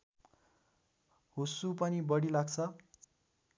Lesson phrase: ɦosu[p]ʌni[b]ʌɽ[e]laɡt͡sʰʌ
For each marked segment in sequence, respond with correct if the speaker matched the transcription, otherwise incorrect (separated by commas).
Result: correct, correct, incorrect